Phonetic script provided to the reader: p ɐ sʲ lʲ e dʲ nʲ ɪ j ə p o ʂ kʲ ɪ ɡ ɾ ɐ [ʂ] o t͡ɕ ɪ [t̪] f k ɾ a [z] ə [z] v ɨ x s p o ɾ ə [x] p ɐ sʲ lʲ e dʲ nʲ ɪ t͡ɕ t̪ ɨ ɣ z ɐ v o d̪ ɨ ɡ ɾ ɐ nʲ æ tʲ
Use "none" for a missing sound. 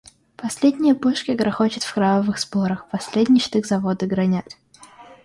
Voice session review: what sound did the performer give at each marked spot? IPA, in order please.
x, t̪, v, none, x

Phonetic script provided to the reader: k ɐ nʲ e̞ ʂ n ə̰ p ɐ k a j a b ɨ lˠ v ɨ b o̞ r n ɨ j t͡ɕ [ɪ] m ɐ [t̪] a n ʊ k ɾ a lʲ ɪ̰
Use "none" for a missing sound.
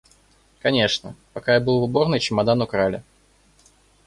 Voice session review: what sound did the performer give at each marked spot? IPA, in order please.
ɪ, d̪

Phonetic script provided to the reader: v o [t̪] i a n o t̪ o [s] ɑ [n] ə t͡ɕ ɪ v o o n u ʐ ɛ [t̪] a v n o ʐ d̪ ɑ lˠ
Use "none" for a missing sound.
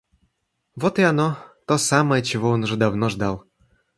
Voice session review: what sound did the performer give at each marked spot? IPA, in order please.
t̪, s, m, d̪

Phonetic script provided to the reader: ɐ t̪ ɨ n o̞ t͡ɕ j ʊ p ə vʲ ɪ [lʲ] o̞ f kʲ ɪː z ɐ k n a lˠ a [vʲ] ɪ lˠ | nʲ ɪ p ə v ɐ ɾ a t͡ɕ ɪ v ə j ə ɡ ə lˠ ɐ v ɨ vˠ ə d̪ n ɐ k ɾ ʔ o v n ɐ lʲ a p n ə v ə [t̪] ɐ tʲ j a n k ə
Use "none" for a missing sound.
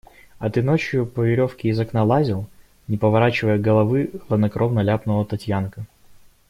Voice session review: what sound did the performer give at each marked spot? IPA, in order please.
ɾʲ, zʲ, t̪

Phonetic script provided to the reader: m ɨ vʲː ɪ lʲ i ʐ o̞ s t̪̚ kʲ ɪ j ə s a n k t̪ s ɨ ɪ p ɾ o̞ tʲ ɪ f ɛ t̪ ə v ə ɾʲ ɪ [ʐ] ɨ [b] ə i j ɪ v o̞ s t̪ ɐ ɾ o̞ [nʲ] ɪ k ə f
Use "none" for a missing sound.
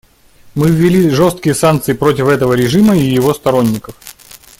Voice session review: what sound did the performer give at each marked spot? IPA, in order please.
ʐ, m, nʲː

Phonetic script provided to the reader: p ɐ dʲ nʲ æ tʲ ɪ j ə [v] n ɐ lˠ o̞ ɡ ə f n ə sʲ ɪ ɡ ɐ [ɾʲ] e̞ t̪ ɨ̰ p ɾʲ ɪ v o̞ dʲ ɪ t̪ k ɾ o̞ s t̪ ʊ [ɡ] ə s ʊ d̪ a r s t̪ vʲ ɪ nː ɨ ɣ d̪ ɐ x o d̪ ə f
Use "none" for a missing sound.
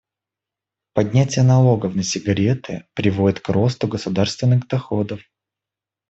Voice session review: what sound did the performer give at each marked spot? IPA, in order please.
none, ɾʲ, ɡ

